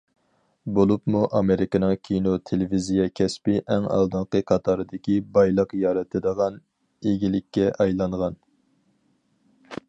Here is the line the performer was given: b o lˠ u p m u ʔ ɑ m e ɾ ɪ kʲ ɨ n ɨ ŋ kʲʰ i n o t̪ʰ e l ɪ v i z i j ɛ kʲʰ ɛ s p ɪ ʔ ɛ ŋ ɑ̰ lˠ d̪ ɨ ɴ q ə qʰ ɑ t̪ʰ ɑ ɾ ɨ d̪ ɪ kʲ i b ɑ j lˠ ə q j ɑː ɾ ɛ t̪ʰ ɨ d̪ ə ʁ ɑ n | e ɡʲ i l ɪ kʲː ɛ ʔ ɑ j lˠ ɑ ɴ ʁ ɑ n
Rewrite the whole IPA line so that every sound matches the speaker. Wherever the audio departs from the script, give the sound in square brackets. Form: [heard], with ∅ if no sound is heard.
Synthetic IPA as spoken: b o lˠ u p m u ʔ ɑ m e ɾ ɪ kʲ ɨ n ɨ ŋ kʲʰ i n o t̪ʰ e l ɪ v i z i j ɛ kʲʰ ɛ s p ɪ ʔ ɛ ŋ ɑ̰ lˠ d̪ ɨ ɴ q ə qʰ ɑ t̪ʰ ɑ ɾ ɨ d̪ ɪ kʲ i b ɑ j lˠ ə q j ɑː ɾ ɛ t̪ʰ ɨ d̪ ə ʁ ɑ n | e ɡʲ i l ɪ kʲː ɛ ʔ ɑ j lˠ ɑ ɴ ʁ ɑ n